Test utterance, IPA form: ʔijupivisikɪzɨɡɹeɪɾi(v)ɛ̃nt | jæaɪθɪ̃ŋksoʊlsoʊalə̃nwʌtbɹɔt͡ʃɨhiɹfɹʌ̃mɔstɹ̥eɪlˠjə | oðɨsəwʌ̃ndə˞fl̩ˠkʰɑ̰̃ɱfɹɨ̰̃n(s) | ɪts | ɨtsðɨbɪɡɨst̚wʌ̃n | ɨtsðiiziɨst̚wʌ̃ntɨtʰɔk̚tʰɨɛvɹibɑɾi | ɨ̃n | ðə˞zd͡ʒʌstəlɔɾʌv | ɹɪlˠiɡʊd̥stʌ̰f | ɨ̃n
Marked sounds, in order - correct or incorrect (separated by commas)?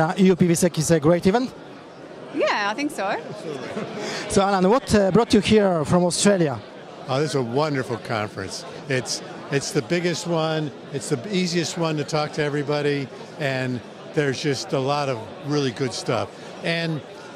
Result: correct, correct